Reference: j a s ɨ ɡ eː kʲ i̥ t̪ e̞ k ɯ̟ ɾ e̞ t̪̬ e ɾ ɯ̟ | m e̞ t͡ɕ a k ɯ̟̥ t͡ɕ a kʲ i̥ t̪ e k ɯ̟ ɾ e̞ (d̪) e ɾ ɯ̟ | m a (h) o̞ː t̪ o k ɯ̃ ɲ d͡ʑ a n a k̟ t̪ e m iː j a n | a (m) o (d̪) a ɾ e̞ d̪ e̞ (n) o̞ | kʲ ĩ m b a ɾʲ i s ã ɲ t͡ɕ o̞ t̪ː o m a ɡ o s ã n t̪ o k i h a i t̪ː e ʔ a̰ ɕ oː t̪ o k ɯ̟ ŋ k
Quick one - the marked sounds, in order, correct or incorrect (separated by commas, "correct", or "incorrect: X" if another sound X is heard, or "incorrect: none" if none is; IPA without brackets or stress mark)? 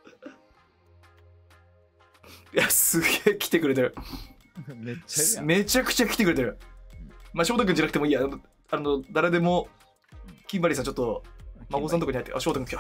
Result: incorrect: t̪, incorrect: ɕ, incorrect: n, correct, incorrect: m